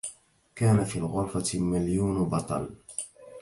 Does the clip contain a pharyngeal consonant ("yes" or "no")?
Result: no